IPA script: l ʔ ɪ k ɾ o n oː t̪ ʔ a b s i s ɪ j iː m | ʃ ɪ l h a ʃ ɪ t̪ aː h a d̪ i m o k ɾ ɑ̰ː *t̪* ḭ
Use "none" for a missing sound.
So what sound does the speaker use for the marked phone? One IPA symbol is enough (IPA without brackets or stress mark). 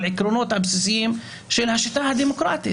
t̪